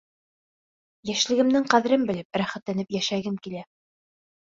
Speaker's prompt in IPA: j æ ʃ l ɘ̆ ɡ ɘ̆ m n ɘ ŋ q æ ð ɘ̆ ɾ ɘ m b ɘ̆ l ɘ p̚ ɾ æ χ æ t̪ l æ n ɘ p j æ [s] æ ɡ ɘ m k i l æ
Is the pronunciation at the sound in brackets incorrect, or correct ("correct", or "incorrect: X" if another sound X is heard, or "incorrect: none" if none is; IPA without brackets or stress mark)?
incorrect: ʃ